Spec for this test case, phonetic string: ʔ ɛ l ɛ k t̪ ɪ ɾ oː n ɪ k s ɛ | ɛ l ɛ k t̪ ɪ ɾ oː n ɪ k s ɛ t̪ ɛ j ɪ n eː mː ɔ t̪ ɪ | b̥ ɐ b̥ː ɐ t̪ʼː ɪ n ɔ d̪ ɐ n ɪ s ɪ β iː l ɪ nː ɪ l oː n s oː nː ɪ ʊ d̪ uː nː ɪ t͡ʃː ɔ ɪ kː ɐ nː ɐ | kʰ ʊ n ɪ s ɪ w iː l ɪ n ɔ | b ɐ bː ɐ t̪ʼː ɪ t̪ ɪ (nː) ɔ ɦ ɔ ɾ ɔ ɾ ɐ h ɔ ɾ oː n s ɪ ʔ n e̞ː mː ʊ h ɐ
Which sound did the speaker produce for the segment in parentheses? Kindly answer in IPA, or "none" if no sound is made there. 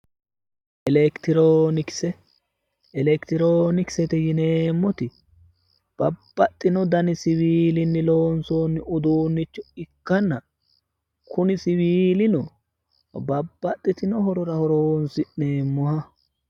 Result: n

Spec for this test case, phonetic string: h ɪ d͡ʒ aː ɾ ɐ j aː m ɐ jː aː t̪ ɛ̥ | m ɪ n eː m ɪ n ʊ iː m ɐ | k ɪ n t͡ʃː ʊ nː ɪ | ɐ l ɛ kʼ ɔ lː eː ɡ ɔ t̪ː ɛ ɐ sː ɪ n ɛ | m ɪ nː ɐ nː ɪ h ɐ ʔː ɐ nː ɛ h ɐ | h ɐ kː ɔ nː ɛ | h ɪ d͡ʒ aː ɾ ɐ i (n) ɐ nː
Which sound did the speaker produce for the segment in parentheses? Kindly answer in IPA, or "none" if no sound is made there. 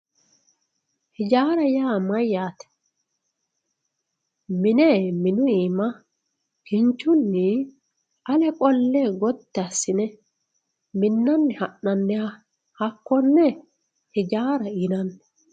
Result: n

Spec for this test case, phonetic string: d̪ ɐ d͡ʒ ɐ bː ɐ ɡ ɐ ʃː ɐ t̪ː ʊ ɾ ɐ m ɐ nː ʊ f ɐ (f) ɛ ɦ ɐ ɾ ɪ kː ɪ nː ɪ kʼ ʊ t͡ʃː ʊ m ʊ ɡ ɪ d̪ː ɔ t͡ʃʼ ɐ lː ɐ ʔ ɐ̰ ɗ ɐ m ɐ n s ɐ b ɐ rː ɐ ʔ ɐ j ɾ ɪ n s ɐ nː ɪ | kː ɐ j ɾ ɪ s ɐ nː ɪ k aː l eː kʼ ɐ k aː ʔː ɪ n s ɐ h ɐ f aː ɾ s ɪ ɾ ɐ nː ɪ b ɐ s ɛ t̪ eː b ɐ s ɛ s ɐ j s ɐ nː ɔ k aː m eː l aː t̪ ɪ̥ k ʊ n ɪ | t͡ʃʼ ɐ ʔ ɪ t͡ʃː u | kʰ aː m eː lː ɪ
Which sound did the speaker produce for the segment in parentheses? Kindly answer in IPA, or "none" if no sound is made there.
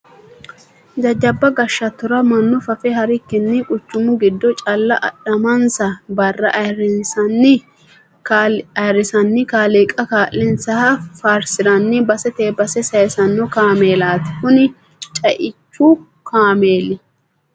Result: f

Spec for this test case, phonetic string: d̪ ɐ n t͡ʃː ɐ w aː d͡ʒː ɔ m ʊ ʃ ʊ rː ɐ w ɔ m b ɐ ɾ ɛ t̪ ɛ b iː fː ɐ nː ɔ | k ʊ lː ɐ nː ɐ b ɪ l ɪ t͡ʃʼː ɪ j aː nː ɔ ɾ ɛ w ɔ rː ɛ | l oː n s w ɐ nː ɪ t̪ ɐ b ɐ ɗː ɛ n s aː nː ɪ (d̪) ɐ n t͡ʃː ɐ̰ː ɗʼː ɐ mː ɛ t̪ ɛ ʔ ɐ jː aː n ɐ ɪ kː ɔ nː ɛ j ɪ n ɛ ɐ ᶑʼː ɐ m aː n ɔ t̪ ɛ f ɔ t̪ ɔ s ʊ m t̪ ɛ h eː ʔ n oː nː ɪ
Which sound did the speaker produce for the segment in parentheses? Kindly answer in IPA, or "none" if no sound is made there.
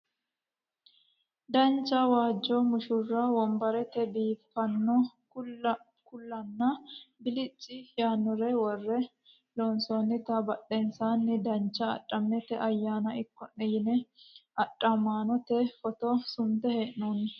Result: d̪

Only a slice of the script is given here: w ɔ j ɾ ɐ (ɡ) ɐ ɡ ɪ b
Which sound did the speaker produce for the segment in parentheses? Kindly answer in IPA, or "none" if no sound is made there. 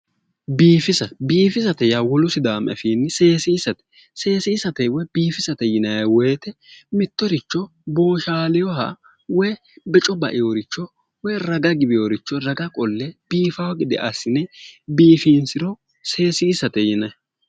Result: ɡ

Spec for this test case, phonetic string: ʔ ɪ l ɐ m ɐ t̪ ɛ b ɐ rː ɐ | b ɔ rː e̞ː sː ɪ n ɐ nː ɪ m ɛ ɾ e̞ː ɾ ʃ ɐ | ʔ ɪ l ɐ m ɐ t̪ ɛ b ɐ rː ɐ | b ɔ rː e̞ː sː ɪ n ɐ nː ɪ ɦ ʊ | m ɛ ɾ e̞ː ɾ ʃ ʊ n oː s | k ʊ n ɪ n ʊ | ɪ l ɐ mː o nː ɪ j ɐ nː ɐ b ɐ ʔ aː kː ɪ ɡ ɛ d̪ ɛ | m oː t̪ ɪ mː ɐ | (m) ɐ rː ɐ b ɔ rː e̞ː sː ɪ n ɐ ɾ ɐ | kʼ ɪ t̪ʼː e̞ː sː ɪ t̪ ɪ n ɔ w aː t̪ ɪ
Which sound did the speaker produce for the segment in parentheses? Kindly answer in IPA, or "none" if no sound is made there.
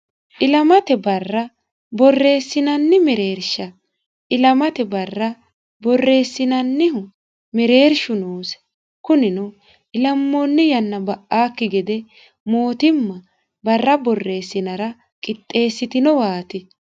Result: b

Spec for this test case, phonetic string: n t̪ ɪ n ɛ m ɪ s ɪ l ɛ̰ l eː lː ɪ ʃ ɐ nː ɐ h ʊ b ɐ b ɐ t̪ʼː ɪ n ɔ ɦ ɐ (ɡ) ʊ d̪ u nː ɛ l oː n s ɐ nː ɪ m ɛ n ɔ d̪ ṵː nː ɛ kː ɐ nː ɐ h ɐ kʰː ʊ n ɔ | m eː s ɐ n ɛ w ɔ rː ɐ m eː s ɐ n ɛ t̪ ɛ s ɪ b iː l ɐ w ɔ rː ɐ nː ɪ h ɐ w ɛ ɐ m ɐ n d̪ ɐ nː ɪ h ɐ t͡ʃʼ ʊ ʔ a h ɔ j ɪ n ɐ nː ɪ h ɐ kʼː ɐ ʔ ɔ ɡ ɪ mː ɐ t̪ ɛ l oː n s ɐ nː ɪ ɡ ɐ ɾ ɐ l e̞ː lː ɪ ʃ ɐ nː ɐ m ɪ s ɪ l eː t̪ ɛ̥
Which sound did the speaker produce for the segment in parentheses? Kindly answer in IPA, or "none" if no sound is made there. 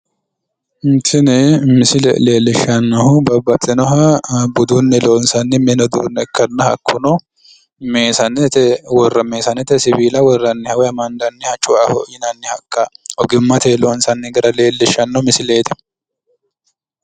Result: b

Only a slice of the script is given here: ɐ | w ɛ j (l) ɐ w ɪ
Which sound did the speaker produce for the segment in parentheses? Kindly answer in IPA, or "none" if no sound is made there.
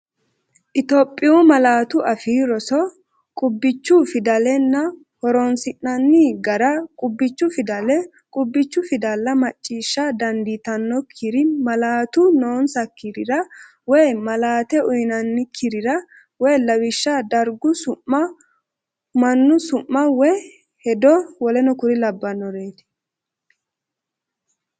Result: l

